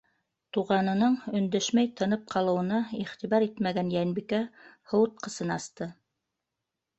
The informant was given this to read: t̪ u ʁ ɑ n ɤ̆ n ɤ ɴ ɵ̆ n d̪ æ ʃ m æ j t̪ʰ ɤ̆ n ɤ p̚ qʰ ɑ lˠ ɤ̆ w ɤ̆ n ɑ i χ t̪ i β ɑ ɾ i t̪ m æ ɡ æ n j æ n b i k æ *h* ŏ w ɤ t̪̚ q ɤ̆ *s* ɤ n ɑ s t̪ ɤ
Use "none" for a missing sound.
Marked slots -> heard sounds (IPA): h, s

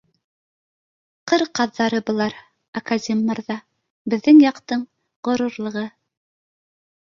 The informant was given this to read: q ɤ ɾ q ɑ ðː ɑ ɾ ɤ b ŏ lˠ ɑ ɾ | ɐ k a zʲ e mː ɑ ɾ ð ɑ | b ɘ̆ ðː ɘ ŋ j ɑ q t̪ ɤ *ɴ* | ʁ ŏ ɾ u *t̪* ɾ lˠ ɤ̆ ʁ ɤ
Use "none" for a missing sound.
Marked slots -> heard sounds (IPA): ɴ, none

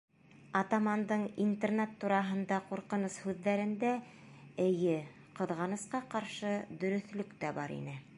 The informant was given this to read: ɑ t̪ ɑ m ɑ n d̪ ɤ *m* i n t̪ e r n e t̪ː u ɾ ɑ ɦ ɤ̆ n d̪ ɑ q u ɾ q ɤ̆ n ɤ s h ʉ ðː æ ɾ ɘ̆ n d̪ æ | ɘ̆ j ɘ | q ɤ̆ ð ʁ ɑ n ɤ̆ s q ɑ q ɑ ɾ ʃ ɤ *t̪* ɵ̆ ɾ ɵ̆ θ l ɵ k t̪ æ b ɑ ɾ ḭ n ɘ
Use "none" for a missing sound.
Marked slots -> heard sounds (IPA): ɴ, d̪

